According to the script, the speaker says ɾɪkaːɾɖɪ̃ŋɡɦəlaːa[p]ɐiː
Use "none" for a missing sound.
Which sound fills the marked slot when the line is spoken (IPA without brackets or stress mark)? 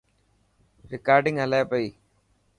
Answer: p